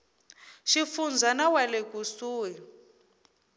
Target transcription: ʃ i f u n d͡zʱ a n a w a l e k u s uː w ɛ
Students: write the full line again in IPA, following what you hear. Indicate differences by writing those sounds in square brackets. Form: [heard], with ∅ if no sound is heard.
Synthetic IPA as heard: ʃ i f u n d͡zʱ a n a w a l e k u s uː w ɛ